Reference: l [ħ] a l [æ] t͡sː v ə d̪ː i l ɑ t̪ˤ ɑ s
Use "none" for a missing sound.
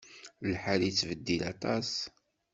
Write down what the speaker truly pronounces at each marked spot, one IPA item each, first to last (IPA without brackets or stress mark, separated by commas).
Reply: ħ, i